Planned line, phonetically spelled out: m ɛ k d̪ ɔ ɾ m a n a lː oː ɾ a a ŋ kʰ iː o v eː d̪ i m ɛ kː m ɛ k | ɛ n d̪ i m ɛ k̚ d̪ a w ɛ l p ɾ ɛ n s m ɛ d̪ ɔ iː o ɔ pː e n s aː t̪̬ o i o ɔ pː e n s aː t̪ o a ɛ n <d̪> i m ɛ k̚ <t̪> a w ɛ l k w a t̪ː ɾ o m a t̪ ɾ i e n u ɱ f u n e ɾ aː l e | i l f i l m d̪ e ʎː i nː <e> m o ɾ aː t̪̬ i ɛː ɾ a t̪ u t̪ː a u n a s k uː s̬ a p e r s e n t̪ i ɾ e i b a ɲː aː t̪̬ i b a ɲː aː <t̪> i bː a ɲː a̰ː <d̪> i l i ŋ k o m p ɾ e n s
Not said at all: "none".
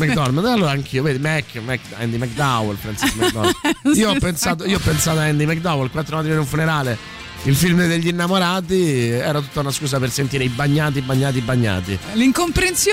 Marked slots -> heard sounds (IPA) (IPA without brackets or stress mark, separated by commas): d̪, d̪, a, t̪, t̪